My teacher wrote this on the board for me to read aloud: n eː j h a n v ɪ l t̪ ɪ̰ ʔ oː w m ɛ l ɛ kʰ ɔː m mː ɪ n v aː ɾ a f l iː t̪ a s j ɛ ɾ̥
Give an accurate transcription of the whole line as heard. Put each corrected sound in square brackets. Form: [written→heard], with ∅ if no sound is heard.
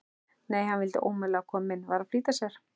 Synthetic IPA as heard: n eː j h a n v ɪ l t̪ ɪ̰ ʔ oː w m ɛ l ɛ kʰ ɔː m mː ɪ n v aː ɾ a f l iː t̪ a s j ɛ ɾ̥